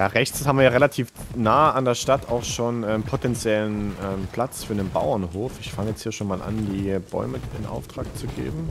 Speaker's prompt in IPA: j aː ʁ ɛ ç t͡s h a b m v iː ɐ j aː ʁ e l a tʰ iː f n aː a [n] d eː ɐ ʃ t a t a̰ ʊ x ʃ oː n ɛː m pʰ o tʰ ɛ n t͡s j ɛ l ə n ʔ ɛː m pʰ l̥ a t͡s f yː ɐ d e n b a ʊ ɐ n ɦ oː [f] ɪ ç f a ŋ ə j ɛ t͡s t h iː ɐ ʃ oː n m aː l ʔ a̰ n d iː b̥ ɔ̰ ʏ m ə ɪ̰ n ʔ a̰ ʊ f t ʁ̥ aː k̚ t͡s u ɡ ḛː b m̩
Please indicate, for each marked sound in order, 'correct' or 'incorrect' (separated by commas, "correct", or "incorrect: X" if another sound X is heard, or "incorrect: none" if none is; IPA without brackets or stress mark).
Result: correct, correct